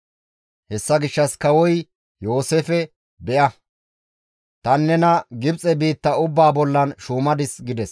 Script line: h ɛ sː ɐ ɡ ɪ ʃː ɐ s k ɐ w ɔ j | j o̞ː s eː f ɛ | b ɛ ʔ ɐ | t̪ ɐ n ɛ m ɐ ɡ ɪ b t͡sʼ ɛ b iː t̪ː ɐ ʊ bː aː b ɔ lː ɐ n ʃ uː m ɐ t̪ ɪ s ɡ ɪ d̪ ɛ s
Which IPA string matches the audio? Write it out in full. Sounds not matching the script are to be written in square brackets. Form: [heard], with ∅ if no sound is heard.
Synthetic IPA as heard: h ɛ sː ɐ ɡ ɪ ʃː ɐ s k ɐ w ɔ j | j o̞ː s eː f ɛ | b ɛ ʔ ɐ | t̪ ɐ [nː] ɛ [n] ɐ ɡ ɪ b t͡sʼ ɛ b iː t̪ː ɐ ʊ bː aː b ɔ lː ɐ n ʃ uː m ɐ [d̪] ɪ s ɡ ɪ d̪ ɛ s